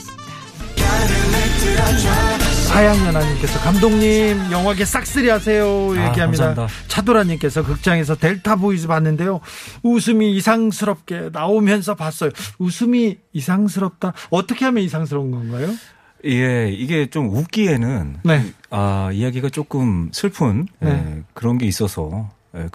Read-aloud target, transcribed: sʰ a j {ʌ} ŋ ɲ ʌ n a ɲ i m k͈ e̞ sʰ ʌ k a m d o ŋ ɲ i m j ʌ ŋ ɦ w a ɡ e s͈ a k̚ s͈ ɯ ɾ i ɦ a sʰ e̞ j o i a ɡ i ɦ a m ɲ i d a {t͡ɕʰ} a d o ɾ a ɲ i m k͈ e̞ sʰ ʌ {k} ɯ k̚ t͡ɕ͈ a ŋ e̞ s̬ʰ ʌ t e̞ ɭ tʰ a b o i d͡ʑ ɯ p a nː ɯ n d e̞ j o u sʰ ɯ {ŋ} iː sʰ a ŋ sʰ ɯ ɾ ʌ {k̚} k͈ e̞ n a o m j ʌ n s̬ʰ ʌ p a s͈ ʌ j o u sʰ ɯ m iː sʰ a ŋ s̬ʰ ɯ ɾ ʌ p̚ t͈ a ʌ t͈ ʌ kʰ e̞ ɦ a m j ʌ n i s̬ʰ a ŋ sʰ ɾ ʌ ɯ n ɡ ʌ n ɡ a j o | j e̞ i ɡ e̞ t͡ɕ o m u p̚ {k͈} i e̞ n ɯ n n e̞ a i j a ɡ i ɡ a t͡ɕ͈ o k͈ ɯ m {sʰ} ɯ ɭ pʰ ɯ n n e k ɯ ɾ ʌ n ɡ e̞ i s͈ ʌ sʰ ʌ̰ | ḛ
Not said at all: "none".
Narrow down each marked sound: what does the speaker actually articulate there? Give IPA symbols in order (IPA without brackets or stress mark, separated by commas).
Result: a, t͡ɕʰ, k, m, p̚, k͈, sʰ